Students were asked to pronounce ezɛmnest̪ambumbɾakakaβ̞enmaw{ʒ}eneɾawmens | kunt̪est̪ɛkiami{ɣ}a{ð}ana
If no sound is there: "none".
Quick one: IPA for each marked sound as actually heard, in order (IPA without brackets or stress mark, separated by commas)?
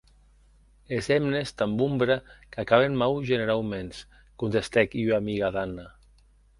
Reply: ʒ, ɣ, ð